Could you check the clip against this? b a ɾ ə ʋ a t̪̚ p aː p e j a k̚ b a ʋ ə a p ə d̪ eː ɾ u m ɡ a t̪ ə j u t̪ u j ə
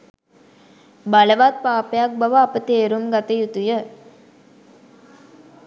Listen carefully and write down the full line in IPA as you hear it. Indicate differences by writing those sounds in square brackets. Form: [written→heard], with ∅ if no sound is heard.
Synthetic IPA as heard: b a [ɾ→l] ə ʋ a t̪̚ p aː p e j a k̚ b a ʋ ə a p ə [d̪→t̪] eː ɾ u m ɡ a t̪ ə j u t̪ u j ə